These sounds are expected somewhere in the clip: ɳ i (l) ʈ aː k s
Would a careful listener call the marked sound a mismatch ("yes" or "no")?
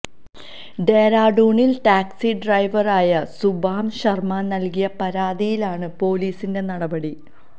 no